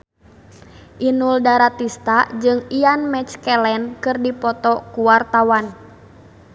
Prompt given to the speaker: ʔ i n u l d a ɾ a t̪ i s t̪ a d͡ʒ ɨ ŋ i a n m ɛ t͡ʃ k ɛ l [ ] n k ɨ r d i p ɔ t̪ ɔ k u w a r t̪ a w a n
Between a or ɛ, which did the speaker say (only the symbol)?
ɛ